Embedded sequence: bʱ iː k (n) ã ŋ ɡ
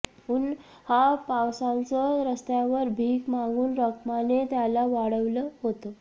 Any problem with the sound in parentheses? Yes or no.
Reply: yes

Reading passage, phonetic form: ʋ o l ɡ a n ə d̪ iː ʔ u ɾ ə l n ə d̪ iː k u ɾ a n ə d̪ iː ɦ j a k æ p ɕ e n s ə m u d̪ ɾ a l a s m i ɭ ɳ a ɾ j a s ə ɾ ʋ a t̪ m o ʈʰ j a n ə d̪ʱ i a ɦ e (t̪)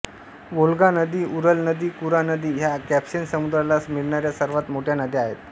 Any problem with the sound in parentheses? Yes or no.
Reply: no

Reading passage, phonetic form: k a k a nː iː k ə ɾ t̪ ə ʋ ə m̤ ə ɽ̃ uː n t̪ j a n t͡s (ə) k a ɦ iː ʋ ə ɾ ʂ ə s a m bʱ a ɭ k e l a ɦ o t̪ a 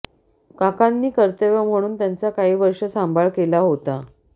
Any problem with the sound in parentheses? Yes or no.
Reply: yes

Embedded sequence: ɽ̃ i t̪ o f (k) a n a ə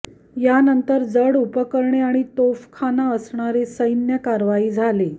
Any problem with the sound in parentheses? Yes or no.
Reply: yes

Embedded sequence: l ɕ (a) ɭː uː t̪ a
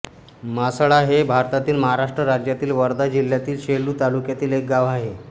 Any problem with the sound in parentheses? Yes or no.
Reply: yes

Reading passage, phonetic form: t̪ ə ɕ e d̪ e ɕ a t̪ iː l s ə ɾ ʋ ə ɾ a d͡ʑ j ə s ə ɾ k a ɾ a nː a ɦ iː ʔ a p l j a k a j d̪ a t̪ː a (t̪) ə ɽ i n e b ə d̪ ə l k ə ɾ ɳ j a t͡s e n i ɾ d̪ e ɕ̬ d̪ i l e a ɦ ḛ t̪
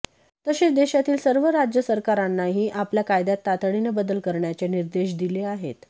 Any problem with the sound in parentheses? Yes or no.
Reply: no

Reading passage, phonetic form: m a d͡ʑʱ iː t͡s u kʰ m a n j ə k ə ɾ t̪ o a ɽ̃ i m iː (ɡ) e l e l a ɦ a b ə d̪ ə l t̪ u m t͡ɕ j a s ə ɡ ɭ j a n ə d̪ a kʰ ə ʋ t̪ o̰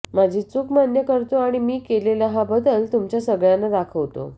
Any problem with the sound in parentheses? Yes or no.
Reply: yes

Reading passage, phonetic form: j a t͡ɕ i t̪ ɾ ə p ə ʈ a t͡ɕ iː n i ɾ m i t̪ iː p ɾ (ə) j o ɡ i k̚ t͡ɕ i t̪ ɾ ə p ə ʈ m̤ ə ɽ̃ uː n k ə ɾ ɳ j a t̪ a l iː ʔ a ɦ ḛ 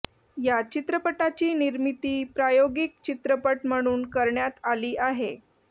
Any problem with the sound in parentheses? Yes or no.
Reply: yes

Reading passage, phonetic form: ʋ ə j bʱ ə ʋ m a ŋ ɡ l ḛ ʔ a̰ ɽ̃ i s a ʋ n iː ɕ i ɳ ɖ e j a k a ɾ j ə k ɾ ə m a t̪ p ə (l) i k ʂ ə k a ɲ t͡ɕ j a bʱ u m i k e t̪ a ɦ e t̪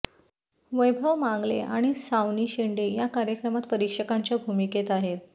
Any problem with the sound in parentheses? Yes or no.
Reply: yes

